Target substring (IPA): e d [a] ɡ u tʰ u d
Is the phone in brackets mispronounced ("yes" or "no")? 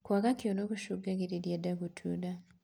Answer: no